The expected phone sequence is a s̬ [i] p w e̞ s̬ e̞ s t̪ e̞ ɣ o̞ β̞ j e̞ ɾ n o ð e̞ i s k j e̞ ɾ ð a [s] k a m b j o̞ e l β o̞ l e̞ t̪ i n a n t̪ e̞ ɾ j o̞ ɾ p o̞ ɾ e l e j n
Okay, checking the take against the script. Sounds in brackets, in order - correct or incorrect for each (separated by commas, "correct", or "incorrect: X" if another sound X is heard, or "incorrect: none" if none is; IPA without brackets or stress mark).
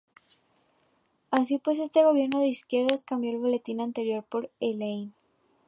correct, correct